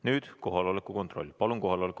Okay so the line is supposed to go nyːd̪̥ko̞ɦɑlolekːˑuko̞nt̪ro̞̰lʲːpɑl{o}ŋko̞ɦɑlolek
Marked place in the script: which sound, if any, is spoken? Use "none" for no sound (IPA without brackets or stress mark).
u